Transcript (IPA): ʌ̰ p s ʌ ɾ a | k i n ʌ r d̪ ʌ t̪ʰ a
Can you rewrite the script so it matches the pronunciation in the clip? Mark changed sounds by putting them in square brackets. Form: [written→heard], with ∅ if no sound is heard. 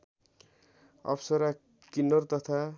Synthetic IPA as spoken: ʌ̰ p s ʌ ɾ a | k i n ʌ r [d̪→t̪] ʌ t̪ʰ a